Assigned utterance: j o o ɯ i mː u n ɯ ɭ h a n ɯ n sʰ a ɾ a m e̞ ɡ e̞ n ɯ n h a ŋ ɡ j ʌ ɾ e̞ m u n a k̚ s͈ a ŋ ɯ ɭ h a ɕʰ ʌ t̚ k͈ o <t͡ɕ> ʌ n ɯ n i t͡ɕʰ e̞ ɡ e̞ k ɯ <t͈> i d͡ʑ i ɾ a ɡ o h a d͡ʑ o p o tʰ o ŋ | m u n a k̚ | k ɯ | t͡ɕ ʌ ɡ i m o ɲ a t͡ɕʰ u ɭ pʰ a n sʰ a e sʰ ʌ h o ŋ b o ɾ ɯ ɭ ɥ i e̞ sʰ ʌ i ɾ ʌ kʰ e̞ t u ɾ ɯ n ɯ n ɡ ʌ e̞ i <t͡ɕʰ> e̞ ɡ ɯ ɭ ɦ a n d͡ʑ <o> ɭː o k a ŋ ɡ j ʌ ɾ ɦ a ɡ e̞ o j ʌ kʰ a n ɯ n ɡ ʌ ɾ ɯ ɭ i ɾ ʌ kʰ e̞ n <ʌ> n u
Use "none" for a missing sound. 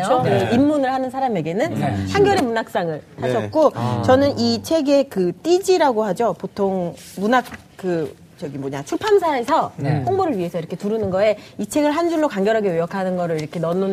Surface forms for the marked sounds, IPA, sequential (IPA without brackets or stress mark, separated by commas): t͡ɕ, t͈, t͡ɕʰ, u, ʌ